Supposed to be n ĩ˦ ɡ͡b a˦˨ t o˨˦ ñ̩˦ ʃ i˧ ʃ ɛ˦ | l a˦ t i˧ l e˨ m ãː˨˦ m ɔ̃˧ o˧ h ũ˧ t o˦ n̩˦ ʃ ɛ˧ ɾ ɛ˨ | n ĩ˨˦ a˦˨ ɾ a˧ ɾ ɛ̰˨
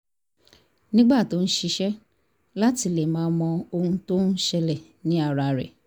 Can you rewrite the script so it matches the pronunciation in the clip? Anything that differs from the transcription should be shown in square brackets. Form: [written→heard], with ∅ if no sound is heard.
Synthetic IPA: n ĩ˦ ɡ͡b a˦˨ t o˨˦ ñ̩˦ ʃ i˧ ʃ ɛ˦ | l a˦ t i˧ l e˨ m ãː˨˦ m ɔ̃˧ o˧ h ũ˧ t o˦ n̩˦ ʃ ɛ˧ [ɾ→l] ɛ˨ | n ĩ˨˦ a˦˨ ɾ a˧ ɾ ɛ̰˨